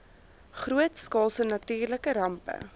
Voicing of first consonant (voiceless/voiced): voiceless